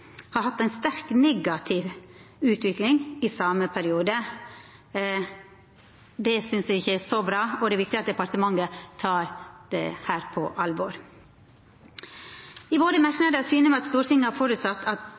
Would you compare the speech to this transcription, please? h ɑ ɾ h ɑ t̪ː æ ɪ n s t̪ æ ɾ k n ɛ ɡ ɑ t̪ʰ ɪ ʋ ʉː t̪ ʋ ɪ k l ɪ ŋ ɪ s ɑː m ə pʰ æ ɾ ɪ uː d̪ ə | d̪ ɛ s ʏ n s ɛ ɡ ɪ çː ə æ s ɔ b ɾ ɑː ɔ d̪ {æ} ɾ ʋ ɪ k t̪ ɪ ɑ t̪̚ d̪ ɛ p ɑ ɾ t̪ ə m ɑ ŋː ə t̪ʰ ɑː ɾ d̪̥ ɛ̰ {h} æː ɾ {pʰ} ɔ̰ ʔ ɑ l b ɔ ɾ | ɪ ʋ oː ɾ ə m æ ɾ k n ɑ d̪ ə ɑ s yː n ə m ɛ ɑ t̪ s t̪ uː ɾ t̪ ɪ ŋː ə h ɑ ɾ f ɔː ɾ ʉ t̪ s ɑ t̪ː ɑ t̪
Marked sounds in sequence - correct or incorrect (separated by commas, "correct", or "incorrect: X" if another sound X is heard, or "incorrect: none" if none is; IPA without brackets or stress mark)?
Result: incorrect: ɛ, correct, correct